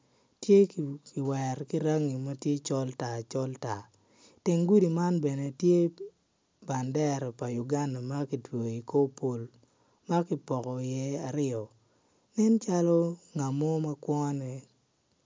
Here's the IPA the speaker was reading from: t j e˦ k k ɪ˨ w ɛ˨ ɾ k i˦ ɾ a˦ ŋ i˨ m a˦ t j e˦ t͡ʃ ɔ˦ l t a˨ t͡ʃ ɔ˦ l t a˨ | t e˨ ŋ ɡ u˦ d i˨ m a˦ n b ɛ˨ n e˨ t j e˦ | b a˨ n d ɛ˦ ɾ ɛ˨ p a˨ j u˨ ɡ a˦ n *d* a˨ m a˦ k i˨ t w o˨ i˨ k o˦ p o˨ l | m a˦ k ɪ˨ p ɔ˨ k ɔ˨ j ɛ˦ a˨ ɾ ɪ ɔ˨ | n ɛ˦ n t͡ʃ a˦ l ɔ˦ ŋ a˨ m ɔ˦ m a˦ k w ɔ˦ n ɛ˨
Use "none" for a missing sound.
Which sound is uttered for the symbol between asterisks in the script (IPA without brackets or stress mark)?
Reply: d